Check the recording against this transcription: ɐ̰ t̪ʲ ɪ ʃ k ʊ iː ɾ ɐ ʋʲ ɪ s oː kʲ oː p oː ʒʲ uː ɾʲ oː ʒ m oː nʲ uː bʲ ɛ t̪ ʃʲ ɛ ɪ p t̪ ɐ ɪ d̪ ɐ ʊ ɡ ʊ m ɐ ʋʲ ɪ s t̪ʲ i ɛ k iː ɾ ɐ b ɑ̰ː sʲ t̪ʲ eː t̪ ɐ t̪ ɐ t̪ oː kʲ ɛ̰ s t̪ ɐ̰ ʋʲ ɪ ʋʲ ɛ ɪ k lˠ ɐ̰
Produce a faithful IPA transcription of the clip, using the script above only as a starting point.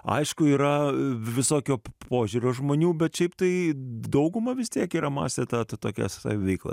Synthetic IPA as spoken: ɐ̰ ɪ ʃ k ʊ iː ɾ ɐ ʋʲ ɪ s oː kʲ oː p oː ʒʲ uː ɾʲ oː ʒ m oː nʲ uː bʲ ɛ t̪ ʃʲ ɛ ɪ p t̪ ɐ ɪ d̪ ɐ ʊ ɡ ʊ m ɐ ʋʲ ɪ s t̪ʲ i ɛ k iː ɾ ɐ m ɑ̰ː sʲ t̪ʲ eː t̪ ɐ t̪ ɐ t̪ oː kʲ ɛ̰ s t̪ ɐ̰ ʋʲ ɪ ʋʲ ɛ ɪ k lˠ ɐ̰